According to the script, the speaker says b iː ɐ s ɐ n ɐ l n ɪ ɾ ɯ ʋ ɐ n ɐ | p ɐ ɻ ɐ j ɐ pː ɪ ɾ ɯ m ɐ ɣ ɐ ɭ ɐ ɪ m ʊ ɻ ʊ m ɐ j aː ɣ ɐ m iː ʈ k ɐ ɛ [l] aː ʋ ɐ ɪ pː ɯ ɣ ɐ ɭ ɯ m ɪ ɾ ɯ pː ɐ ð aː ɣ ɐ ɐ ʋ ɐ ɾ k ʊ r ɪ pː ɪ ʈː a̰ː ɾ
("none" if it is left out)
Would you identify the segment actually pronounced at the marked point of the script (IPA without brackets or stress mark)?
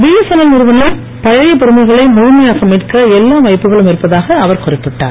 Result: lː